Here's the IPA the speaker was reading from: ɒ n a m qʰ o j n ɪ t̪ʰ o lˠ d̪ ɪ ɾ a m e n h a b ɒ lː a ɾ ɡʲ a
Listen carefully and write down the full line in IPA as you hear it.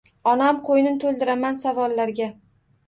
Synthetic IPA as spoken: ɒ n a m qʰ o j n ɪ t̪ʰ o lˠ d̪ ɪ ɾ a m a n s a v ɒ lː a ɾ ɡʲ a